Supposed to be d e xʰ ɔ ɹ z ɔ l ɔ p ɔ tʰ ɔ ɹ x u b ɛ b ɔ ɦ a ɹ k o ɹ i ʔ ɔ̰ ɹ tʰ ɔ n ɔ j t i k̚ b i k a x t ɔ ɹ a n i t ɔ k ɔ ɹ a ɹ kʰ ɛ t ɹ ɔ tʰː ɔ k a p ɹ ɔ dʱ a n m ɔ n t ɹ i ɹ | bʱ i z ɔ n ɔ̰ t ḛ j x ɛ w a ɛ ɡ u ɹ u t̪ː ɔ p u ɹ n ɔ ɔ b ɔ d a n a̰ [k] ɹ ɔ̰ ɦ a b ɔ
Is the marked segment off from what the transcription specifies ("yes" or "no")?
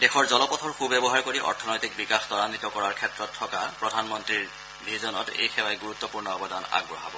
yes